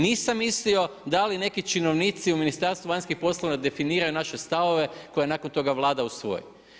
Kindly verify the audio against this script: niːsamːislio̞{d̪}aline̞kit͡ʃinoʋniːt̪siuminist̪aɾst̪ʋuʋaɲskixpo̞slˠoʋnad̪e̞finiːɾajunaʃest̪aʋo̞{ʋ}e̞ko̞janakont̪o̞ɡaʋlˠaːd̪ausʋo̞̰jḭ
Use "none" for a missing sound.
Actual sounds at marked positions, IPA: d̪, ʋ

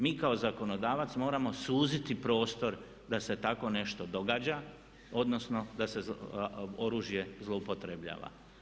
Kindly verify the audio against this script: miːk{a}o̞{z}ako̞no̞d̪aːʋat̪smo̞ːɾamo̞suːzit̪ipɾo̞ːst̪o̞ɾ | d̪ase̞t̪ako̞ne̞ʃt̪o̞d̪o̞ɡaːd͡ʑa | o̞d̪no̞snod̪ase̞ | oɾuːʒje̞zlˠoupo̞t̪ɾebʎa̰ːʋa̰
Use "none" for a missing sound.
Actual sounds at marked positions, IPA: a, z

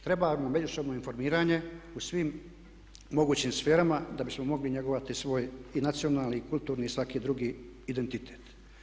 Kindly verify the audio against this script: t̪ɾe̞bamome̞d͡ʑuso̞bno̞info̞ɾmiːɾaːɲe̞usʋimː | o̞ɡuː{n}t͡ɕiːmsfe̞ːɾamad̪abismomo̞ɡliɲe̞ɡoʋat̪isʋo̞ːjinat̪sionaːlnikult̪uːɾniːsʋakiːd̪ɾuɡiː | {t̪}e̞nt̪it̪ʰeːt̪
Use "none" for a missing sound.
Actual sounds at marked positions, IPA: none, d̪

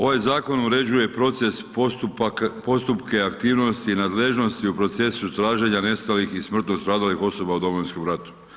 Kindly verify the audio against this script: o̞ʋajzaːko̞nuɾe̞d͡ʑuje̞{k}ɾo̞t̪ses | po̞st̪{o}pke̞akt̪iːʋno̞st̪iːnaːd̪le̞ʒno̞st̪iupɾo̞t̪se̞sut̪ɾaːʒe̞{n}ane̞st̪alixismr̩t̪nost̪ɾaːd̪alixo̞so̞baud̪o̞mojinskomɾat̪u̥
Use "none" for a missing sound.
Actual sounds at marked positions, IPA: p, u, ɲ

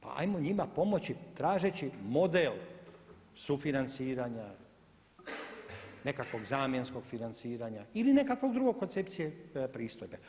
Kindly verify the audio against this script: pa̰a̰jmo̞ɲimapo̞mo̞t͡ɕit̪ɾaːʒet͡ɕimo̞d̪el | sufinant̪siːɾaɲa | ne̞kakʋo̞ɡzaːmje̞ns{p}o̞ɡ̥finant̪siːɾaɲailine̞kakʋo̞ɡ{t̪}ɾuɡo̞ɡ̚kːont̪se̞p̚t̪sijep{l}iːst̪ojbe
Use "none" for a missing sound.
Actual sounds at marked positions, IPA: k, d̪, ɾ

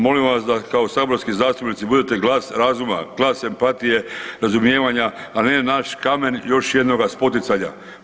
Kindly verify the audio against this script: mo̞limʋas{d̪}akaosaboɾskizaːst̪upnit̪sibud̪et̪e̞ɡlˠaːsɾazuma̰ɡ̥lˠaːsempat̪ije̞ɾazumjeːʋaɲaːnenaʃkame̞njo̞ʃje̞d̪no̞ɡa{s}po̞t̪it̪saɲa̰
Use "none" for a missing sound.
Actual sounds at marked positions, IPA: d̪, s

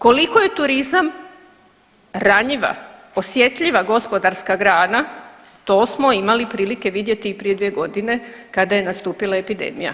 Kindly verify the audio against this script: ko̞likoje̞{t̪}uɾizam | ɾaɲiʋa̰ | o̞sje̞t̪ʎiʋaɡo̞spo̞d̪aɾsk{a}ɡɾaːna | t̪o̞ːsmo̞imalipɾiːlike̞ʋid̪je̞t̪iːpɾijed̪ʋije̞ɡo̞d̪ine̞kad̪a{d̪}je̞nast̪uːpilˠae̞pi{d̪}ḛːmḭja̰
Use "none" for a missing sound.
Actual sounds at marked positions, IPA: t̪, a, none, d̪

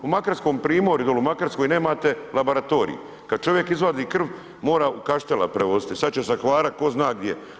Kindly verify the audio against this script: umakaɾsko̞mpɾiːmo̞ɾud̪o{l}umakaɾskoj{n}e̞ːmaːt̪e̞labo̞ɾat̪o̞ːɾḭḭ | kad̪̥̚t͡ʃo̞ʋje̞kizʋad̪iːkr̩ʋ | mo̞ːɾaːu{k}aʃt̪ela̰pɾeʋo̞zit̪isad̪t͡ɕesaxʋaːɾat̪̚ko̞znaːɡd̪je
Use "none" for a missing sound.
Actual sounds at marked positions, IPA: l, n, k

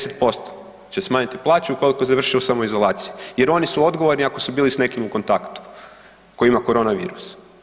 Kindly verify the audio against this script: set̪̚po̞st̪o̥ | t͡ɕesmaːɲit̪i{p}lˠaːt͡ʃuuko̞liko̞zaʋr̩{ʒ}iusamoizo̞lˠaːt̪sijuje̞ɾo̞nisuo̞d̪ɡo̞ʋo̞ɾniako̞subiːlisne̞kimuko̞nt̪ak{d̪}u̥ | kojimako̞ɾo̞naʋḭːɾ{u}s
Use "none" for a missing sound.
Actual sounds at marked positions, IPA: p, ʃ, t̪, u

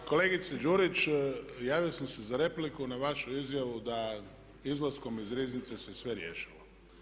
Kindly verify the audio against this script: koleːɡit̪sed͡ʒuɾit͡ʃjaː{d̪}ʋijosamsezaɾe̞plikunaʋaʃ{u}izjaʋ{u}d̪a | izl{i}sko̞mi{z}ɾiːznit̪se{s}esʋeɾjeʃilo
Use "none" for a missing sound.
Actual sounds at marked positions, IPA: none, u, u, a, z, s

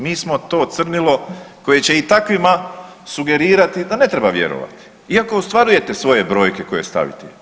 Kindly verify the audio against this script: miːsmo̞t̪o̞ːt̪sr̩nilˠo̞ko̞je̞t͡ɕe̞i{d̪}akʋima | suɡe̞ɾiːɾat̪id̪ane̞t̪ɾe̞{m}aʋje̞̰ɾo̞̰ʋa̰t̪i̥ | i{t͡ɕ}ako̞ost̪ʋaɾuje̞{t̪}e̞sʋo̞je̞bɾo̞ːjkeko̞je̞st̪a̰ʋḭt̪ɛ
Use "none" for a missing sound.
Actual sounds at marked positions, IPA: t̪, b, none, t̪

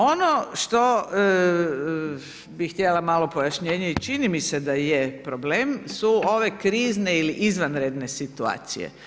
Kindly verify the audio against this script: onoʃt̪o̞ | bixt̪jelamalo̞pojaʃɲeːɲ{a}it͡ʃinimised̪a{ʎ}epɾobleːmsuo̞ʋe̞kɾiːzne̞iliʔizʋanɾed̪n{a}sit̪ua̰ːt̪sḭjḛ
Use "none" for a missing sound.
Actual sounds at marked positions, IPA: e, j, e

